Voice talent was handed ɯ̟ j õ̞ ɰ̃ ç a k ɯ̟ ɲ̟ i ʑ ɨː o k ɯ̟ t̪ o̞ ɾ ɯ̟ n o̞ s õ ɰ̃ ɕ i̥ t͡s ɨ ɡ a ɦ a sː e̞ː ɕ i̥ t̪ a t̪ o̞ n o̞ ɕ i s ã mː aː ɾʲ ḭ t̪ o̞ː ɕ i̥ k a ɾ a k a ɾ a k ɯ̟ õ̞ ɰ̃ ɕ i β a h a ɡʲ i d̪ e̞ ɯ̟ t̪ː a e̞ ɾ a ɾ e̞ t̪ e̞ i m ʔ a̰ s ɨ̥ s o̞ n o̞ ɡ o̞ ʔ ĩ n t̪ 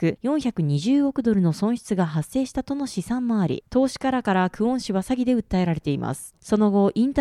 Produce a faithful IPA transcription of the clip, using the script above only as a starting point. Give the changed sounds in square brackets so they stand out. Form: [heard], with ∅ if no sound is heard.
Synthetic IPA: ɯ̟ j õ̞ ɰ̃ ç a k ɯ̟ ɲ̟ i ʑ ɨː o k ɯ̟ [d̪] o̞ ɾ ɯ̟ n o̞ s õ ɰ̃ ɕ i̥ t͡s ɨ ɡ a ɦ a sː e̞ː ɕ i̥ t̪ a t̪ o̞ n o̞ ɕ i s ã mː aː ɾʲ ḭ t̪ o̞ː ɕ i̥ k a ɾ a k a ɾ a k ɯ̟ õ̞ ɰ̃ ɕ i β a [s] a ɡʲ i d̪ e̞ ɯ̟ t̪ː a e̞ ɾ a ɾ e̞ t̪ e̞ i m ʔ a̰ s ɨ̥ s o̞ n o̞ ɡ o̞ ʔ ĩ n t̪